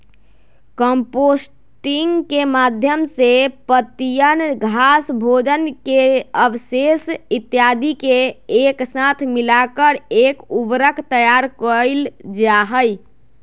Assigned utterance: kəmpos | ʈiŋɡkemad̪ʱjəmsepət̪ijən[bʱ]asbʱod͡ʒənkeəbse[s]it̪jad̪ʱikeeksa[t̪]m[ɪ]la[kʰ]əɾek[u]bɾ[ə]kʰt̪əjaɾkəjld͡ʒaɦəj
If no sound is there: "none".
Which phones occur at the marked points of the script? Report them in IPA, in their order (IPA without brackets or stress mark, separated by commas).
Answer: ɡʱ, s, t̪ʰ, i, k, u, ə